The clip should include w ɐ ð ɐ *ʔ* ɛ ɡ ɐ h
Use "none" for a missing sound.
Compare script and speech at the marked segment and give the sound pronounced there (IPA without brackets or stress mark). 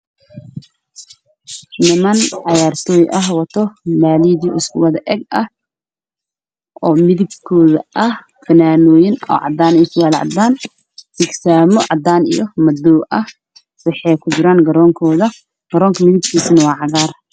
ʔ